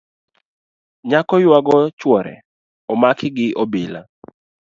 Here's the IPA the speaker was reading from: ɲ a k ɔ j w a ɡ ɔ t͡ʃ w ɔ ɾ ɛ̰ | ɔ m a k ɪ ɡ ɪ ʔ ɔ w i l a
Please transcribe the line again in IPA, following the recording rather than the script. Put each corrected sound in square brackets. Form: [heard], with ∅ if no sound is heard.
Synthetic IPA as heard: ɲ a k ɔ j w a ɡ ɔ t͡ʃ w ɔ ɾ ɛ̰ | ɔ m a k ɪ ɡ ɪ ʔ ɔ [b] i l a